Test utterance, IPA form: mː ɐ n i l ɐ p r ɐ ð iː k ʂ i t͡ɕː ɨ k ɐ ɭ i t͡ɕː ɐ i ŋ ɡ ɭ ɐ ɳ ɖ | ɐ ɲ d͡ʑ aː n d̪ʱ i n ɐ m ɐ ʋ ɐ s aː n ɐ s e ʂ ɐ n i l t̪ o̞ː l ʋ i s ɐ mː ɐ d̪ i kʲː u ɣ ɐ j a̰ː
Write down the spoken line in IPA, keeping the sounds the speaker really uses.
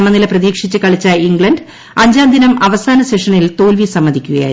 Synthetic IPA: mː ɐ n i l ɐ p r ɐ ð iː k ʂ i t͡ɕː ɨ k ɐ ɭ i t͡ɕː ɐ i ŋ ɡ ɭ ɐ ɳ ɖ | ɐ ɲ d͡ʑ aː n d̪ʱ i n ɐ m ɐ ʋ ɐ s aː n ɐ s e ʂ ɐ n i l t̪ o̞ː l ʋ i s ɐ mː ɐ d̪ i kʲː u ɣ ɐ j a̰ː